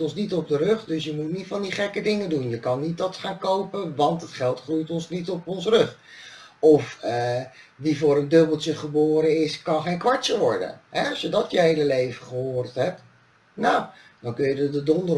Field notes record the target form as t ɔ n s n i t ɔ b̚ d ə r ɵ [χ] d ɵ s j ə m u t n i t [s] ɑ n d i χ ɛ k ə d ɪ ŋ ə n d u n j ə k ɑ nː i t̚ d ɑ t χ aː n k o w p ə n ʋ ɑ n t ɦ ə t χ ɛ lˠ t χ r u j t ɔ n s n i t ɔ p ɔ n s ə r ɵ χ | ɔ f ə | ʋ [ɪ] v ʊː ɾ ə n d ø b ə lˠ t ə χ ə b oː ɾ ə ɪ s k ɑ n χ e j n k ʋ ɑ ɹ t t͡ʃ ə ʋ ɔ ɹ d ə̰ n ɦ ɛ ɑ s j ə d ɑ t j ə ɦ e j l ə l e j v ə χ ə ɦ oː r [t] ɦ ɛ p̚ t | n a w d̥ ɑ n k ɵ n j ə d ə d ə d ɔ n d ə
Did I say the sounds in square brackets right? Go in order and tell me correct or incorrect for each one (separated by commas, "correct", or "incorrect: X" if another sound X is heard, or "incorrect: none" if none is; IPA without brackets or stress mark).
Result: correct, incorrect: f, incorrect: i, correct